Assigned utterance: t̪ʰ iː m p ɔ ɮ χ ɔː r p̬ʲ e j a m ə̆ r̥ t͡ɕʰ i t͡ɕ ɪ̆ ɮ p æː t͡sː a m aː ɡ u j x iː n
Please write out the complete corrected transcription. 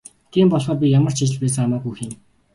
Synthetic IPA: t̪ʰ iː m p ɔ ɮ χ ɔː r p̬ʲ i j a m ə̆ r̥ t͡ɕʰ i t͡ɕ ɪ̆ ɮ p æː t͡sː a m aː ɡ u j x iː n